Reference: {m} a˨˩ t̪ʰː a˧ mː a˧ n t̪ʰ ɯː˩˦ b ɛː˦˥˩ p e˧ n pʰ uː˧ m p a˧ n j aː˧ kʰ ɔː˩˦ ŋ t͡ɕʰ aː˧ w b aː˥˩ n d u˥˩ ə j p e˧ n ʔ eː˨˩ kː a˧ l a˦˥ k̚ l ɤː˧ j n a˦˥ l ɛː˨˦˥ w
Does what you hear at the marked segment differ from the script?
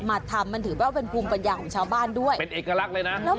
no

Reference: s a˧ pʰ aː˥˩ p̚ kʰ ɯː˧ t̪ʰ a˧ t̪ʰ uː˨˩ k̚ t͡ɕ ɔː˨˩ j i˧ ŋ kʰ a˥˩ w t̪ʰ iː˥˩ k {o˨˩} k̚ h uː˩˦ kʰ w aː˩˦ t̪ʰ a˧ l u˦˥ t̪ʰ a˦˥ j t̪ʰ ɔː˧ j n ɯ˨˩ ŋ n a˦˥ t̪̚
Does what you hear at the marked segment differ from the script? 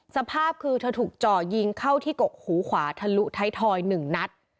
no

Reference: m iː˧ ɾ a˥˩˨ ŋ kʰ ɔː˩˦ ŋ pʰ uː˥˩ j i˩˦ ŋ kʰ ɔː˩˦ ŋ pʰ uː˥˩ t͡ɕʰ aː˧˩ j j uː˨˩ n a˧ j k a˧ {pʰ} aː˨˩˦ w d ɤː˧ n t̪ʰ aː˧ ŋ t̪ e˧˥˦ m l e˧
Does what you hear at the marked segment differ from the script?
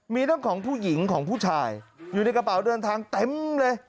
yes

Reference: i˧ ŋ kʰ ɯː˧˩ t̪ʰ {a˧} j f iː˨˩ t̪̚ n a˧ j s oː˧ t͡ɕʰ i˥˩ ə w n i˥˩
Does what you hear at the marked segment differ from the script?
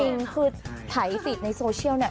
yes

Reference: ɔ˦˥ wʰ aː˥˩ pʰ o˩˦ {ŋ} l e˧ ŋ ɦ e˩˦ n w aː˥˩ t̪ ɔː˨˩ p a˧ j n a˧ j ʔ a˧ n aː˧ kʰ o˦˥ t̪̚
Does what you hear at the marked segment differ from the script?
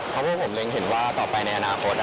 yes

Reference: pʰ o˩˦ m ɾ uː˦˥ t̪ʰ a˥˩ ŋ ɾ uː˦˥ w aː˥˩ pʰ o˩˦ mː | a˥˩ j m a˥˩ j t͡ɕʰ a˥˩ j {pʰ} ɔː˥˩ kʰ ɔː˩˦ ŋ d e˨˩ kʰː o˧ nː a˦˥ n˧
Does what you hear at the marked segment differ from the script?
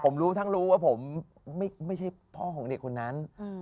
no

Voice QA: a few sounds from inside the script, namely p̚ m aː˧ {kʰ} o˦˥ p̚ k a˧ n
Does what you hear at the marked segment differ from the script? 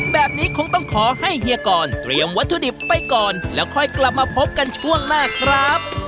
yes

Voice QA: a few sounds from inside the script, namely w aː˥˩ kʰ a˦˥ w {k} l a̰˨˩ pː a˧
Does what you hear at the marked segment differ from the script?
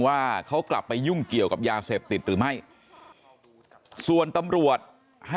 no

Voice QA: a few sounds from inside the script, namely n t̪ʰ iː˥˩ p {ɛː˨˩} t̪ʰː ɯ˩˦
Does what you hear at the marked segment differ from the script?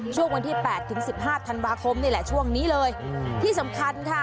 no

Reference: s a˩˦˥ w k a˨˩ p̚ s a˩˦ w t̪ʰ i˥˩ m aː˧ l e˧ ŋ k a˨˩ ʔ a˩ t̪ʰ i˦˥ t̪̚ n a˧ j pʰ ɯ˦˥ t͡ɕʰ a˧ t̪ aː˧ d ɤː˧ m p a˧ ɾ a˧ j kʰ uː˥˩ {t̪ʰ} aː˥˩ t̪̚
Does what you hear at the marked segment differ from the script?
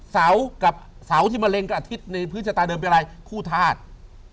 no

